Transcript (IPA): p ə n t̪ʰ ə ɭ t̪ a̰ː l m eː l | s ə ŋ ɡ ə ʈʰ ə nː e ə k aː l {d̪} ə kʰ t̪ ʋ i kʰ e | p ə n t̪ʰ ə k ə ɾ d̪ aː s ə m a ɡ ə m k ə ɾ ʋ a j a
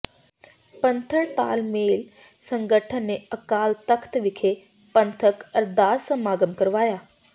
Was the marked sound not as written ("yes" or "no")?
yes